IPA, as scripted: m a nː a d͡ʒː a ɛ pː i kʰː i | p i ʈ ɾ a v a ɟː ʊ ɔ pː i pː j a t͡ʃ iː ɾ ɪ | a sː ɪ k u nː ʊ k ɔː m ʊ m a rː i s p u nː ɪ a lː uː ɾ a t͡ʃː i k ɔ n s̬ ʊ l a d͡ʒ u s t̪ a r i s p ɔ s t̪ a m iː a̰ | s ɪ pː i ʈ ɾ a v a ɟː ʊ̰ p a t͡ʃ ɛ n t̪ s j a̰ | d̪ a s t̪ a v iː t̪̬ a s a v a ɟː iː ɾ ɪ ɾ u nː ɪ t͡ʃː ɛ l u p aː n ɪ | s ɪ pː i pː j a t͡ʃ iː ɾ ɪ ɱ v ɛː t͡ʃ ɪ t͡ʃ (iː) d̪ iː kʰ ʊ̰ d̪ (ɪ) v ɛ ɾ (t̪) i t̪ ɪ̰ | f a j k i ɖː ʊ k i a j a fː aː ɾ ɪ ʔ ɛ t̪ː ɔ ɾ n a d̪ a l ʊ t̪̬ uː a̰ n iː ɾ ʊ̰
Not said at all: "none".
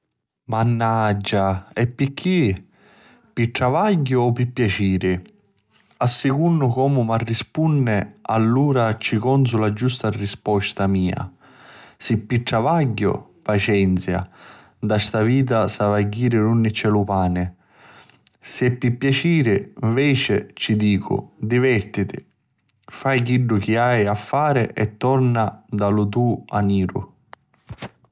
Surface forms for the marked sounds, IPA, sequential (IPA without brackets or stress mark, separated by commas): i, i, t̪